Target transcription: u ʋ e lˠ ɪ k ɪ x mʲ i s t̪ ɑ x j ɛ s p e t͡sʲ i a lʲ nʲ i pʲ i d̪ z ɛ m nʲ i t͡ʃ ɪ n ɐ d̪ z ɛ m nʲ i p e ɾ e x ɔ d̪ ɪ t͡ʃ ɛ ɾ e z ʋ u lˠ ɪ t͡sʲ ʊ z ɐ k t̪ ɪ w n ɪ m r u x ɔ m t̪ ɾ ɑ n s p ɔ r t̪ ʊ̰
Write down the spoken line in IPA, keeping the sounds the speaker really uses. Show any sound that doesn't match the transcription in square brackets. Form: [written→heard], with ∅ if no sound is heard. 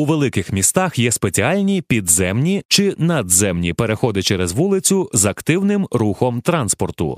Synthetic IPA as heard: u ʋ e lˠ ɪ k ɪ x mʲ i s t̪ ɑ x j ɛ s p e t͡sʲ i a lʲ nʲ i pʲ i d̪ z ɛ m nʲ i t͡ʃ ɪ n ɐ d̪ z ɛ m nʲ i p e ɾ e x ɔ d̪ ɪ t͡ʃ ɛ ɾ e z ʋ u lˠ ɪ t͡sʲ ʊ z ɐ k t̪ ɪ w n ɪ m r u x ɔ m t̪ ɾ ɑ n s p ɔ r t̪ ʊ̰